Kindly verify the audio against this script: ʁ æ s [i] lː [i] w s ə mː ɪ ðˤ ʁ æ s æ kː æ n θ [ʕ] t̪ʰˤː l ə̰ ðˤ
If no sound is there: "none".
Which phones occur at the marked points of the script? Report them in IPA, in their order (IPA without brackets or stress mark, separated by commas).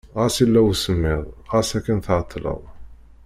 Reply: i, æ, ʕ